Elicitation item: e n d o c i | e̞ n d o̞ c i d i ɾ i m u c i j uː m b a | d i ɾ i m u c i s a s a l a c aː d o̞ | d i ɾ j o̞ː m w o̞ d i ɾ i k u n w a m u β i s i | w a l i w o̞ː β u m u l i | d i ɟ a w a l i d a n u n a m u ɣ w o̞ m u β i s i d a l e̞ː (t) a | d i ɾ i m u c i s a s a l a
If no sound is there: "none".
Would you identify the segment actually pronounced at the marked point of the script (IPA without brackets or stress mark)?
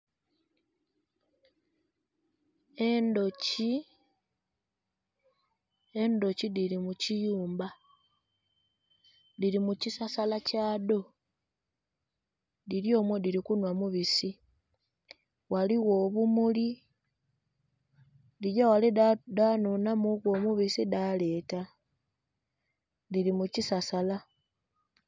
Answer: t